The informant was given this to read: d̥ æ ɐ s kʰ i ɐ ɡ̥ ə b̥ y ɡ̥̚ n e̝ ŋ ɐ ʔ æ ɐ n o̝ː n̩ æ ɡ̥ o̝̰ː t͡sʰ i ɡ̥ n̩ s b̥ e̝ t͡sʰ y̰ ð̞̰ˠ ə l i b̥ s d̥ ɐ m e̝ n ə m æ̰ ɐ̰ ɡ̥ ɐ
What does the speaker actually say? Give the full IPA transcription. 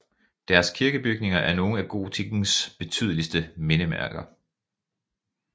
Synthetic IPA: d̥ æ ɐ s kʰ i ɐ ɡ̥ ə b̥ y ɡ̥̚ n e̝ ŋ ɐ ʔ æ ɐ n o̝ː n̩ æ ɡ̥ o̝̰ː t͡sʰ i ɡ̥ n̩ s b̥ e̝ t͡sʰ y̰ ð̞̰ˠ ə l i s d̥ ə m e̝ n ə m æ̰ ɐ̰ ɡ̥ ɐ

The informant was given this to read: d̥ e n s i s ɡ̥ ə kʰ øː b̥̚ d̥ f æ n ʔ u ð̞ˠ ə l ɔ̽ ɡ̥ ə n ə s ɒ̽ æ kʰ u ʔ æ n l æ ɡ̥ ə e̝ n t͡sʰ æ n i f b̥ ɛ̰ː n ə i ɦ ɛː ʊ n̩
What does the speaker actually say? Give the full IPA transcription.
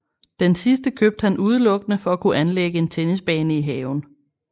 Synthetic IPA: d̥ e n s i s d̥ ə kʰ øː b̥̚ d̥ h æ n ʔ u ð̞ˠ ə l ɔ̽ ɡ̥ ə n ə f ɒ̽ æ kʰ u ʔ æ n l e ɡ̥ ə e̝ n t͡sʰ e n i s b̥ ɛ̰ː n ə i ɦ ɛː ʊ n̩

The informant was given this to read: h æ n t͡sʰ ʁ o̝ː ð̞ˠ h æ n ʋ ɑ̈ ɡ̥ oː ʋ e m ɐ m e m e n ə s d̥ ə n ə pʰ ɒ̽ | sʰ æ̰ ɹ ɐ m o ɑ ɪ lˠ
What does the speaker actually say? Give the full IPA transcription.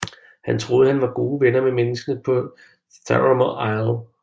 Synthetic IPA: h æ n t͡sʰ ʁ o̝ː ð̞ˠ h æ n ʋ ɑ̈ ɡ̥ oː ʋ e n ɐ m e m e n ə s ɡ̥ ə n ə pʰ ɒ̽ | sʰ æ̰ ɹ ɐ m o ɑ ɪ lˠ

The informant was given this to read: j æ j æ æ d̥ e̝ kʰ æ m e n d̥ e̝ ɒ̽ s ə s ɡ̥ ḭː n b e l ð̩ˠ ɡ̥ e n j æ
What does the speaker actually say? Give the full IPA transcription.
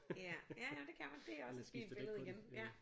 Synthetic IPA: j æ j æ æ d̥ e̝ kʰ æ m æ n d̥ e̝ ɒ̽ s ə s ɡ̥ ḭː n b e l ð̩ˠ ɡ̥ e n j æ

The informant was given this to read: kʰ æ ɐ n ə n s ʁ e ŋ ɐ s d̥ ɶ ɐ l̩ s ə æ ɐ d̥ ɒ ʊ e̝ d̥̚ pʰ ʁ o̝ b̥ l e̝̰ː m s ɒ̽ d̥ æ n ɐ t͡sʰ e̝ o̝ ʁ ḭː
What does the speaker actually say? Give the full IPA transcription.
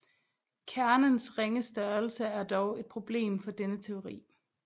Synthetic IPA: kʰ æ ɐ n ə n s ʁ e ŋ ə s d̥ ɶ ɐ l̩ s ə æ ɐ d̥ ɒ ʊ e̝ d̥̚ pʰ ʁ o̝ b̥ l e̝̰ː m f ɒ̽ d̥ e n ə t͡sʰ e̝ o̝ ʁ ḭː

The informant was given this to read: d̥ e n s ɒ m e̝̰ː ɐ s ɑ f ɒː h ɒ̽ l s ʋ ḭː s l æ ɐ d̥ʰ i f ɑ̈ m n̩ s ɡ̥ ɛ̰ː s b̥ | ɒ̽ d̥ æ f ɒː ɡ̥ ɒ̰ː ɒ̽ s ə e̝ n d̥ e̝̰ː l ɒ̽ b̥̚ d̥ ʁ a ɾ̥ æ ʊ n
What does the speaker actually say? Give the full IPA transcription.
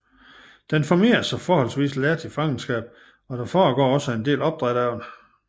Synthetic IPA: d̥ e n f ɒ m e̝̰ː ɐ s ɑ f ɒː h ɒ̽ l s ʋ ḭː s l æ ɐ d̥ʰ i f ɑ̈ ŋ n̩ s ɡ̥ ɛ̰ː b̥ | ɒ̽ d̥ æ f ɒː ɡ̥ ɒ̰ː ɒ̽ s ə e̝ n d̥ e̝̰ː l ɒ̽ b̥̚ d̥ ʁ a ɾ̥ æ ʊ n

